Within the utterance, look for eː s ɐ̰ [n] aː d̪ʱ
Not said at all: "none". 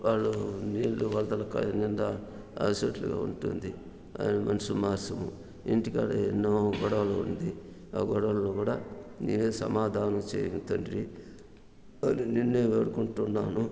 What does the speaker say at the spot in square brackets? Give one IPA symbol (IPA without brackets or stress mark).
m